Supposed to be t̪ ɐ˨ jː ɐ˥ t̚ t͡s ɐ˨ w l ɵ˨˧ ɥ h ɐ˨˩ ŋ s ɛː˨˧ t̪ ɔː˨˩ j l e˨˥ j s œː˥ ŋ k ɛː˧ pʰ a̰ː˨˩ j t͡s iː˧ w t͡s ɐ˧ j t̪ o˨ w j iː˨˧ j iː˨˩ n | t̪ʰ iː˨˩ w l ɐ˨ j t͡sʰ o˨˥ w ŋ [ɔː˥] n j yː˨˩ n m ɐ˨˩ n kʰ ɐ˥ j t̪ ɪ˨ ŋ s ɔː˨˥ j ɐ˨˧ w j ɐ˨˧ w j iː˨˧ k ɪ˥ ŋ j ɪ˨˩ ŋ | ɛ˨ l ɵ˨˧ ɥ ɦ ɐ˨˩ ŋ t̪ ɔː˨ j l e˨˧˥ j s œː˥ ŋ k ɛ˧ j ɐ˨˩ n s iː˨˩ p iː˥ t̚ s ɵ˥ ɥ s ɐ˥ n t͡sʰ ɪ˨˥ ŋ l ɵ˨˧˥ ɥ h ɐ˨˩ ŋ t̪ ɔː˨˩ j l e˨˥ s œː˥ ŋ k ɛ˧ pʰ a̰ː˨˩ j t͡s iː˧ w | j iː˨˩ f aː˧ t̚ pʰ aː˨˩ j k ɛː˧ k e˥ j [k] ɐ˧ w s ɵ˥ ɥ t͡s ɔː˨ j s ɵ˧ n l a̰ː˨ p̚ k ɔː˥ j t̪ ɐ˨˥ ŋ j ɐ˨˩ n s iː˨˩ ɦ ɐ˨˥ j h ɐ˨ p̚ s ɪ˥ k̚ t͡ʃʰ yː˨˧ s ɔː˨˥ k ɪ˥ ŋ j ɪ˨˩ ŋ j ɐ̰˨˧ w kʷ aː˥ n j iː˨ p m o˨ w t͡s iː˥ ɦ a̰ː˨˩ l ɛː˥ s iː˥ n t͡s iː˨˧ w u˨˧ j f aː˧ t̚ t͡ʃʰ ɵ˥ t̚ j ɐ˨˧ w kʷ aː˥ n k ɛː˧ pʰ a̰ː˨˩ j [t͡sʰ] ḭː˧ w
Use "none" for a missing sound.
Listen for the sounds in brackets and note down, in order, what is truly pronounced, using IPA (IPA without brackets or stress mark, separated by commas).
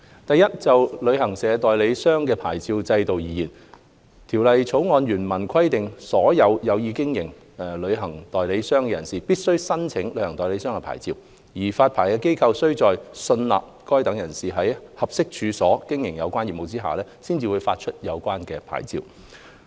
ɔː˨˧, kʰ, t͡s